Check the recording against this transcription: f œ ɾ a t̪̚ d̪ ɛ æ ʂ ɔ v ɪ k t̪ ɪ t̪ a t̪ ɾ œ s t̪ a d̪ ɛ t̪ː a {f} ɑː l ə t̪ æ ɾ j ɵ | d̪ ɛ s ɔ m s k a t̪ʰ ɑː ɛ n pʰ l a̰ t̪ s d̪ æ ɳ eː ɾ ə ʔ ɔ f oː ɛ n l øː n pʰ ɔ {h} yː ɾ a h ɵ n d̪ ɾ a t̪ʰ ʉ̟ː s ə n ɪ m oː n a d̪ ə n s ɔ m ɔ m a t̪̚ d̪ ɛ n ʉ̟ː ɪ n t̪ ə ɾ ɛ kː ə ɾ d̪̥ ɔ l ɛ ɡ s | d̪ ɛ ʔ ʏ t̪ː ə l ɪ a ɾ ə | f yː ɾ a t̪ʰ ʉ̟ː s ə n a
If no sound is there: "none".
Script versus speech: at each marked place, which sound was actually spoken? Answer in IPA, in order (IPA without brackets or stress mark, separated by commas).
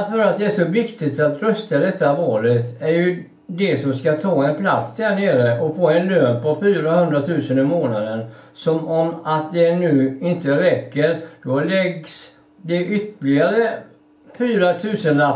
v, f